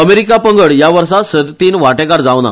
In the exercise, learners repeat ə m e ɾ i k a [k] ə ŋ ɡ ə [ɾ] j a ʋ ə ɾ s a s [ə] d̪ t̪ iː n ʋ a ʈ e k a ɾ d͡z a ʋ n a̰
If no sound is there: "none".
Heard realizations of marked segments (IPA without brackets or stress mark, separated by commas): p, ɭ, ə